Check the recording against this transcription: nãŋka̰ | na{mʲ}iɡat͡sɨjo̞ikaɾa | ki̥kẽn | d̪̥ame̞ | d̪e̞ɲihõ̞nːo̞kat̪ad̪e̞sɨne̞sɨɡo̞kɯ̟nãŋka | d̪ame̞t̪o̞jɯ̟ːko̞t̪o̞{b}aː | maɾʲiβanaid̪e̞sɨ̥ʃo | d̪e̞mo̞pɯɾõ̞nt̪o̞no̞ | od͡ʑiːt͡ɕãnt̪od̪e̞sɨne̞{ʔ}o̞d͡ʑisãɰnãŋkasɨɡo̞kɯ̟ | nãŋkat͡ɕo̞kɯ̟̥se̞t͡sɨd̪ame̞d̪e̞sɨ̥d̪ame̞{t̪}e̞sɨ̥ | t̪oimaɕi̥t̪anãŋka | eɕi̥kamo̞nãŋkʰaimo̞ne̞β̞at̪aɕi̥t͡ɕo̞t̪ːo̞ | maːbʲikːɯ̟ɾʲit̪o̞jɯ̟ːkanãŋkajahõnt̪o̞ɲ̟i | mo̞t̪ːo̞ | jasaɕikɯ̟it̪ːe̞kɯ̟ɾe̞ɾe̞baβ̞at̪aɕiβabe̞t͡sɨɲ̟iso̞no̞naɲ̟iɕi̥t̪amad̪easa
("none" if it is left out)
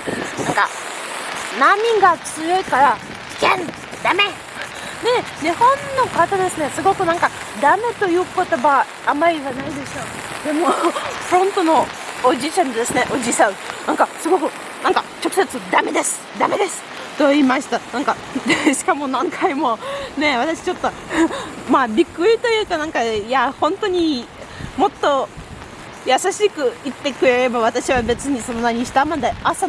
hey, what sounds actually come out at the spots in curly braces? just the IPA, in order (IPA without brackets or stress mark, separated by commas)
mʲ, b, ʔ, d̪